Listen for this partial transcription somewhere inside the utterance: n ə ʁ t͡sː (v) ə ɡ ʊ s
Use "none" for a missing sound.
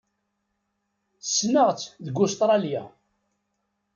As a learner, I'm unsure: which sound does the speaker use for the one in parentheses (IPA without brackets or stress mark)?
ð